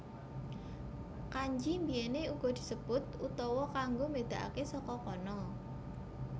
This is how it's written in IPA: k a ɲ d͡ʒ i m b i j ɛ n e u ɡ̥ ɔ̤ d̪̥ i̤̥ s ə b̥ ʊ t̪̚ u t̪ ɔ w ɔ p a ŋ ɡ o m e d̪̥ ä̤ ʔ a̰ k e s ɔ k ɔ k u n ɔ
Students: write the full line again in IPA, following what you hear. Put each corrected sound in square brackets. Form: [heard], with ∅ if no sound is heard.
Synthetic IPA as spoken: k a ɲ d͡ʒ i m b i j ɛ n e u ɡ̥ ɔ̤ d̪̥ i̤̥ s ə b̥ ʊ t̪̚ u t̪ ɔ w ɔ [k] a ŋ ɡ o m e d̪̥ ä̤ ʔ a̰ k e s ɔ k ɔ k [ɔ] n ɔ